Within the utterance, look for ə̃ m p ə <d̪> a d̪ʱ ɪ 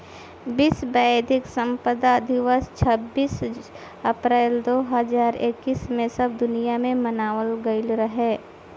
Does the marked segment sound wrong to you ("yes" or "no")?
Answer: no